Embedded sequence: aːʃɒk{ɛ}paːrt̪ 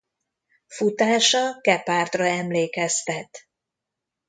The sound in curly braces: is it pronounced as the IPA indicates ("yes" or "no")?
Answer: yes